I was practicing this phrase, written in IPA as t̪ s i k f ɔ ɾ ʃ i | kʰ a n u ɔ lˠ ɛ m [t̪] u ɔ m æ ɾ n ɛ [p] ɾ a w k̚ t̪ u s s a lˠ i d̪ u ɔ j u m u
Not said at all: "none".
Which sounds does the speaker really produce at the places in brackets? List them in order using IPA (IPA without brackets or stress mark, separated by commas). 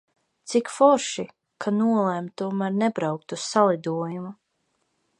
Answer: t̪, b